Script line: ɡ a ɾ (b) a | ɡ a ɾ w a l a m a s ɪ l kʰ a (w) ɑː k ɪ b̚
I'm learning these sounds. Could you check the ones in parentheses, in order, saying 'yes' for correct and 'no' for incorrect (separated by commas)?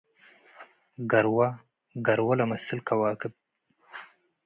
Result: no, yes